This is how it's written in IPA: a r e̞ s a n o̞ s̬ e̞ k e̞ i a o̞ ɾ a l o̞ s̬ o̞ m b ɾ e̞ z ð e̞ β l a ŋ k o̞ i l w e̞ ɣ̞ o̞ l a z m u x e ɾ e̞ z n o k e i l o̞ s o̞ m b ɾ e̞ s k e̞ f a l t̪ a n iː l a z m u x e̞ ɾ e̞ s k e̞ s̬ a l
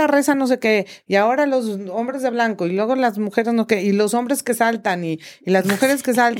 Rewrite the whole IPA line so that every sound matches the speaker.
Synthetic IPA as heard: a r e̞ s a n o̞ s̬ e̞ k e̞ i a o̞ ɾ a l o̞ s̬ o̞ m b ɾ e̞ z ð e̞ β l a ŋ k o̞ i l w e̞ ɣ̞ o̞ l a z m u x e ɾ e̞ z n o k e i l o̞ s o̞ m b ɾ e̞ s k e̞ s a l t̪ a n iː l a z m u x e̞ ɾ e̞ s k e̞ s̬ a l